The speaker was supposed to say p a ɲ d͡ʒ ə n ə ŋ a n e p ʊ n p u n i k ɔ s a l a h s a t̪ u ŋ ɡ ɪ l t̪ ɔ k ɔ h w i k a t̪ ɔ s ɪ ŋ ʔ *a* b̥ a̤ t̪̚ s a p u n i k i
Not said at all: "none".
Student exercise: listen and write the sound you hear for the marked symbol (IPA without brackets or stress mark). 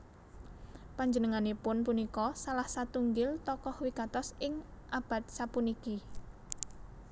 a